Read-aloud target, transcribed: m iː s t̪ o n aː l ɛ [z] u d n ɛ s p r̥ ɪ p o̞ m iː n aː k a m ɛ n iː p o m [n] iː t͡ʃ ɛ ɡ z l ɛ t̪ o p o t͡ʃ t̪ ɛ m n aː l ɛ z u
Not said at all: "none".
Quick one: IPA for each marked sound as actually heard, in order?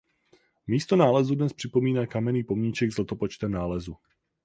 z, ɲ

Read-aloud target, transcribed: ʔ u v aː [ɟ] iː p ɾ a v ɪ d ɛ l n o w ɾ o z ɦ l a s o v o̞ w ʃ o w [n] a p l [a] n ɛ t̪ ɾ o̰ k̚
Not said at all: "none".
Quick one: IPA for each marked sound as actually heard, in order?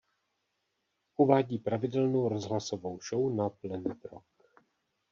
ɟ, n, ɛ

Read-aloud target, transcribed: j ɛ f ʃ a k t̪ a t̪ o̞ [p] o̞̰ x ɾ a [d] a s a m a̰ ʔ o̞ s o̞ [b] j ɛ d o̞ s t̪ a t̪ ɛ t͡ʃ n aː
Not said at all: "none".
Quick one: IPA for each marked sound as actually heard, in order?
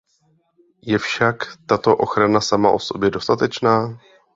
ʔ, n, b

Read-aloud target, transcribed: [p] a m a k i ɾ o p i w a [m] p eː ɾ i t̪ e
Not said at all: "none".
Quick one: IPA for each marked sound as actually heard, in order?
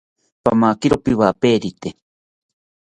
p, none

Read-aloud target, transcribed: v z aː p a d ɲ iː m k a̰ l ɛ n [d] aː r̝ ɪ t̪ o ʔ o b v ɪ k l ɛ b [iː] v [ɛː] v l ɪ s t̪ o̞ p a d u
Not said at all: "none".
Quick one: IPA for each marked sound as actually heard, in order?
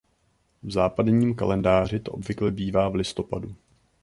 d, iː, aː

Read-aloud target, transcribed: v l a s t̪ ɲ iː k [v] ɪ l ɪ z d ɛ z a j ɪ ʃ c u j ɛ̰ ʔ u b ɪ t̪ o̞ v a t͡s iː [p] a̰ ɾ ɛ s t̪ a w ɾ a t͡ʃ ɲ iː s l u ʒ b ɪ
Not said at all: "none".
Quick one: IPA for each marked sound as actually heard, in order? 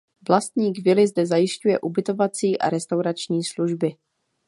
v, ʔ

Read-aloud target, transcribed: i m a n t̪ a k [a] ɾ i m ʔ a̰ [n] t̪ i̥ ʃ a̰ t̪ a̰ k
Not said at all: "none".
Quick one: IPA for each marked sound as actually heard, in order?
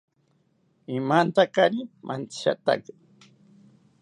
a, n

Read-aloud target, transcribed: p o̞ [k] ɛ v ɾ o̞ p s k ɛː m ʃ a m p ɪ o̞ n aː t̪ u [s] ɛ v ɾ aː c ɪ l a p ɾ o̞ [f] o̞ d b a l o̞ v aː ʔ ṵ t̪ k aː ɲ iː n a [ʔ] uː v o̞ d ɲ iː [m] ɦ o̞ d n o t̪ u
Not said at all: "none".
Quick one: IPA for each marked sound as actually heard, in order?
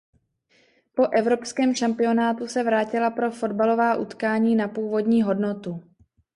ʔ, s, f, p, none

